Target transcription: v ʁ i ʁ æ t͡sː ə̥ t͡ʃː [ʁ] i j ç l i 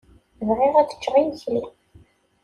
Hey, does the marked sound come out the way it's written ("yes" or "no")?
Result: yes